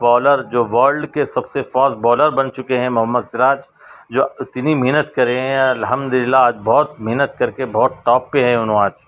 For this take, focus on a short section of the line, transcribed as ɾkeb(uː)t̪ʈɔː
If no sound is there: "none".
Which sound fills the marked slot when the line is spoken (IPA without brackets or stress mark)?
ɔː